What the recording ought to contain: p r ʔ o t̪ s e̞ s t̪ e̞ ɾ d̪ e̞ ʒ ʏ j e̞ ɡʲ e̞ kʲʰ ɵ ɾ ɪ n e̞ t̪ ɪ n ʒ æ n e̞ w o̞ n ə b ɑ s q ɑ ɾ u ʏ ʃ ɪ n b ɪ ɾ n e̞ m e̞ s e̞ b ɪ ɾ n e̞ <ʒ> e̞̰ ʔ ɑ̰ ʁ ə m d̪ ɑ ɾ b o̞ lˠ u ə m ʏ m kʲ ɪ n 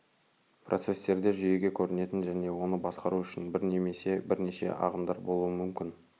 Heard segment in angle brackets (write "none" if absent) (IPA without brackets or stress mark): ʃ